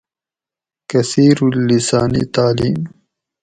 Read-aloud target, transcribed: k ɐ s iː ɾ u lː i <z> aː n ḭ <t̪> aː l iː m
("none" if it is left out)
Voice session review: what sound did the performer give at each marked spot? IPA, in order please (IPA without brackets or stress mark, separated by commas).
s, t̪